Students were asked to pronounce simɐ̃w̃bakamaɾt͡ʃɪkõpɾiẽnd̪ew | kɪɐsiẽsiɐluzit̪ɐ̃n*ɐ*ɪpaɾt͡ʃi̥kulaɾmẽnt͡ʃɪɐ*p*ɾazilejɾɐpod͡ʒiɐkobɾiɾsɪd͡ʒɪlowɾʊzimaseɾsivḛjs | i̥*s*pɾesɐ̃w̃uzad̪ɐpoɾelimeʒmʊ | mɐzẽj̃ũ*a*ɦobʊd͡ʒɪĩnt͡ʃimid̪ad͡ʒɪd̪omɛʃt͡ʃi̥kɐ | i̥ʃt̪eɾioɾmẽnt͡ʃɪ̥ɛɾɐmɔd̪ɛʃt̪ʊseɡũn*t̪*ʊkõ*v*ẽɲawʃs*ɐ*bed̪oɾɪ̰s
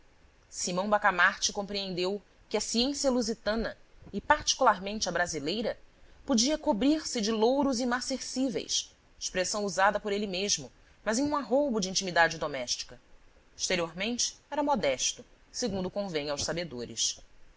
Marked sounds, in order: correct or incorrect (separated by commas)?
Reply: correct, incorrect, incorrect, correct, incorrect, correct, incorrect